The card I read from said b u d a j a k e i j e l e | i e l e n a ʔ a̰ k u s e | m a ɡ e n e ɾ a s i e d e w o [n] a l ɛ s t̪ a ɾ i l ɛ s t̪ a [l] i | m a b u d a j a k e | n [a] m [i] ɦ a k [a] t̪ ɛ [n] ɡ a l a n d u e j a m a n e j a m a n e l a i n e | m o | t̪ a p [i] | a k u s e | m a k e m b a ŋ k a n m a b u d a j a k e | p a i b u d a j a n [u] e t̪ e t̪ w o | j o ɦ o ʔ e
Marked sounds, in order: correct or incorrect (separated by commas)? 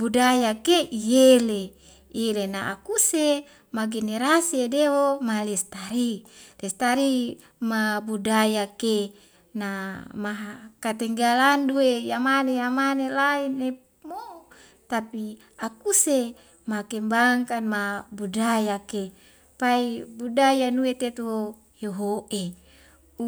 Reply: incorrect, incorrect, correct, incorrect, correct, incorrect, correct, correct